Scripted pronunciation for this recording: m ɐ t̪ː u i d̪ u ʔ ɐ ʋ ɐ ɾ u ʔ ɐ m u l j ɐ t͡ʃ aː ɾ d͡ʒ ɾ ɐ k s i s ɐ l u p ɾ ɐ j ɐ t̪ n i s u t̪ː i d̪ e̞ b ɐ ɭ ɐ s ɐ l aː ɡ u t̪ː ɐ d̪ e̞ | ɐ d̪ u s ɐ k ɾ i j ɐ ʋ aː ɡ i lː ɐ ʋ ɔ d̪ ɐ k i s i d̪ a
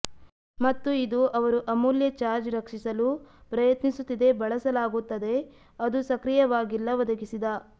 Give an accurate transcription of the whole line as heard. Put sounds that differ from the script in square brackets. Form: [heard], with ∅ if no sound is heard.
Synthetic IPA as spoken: m ɐ t̪ː u i d̪ u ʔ ɐ ʋ ɐ ɾ u ʔ ɐ m u l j ɐ t͡ʃ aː ɾ d͡ʒ ɾ ɐ k [ʂ] i s ɐ l u p ɾ ɐ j ɐ t̪ n i s u t̪ː i d̪ e̞ b ɐ ɭ ɐ s ɐ l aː ɡ u t̪ː ɐ d̪ e̞ | ɐ d̪ u s ɐ k ɾ i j ɐ ʋ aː ɡ i lː ɐ ʋ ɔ d̪ ɐ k i s i d̪ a